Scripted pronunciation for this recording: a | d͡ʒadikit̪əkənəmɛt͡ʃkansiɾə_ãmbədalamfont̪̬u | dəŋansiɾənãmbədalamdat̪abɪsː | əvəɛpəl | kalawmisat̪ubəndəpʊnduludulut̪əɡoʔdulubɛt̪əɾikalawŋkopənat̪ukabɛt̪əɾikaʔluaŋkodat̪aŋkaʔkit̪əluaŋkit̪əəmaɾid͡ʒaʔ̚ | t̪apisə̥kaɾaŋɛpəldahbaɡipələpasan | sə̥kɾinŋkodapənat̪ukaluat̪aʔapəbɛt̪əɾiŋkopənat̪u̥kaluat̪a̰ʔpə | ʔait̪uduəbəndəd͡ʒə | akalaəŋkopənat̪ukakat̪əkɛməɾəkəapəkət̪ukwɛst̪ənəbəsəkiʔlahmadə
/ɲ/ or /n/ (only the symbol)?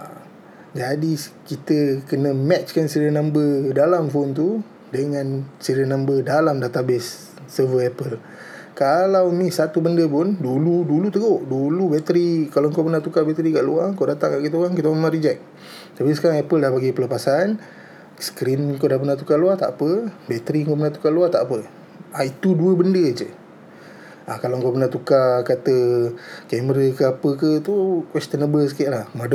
n